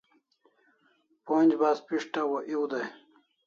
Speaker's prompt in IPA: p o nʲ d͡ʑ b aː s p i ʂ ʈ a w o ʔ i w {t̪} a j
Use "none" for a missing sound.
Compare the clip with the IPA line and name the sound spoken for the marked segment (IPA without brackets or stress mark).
d̪